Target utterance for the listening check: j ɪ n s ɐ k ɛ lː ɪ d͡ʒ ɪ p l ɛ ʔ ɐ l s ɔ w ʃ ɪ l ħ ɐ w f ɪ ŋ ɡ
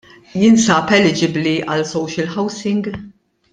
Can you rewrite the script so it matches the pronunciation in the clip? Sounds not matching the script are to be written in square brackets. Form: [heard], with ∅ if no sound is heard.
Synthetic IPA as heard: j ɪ n s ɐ [p] ɛ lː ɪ d͡ʒ ɪ [b] l [i] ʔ ɐ l s ɔ w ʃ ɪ l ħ ɐ w [s] ɪ ŋ ɡ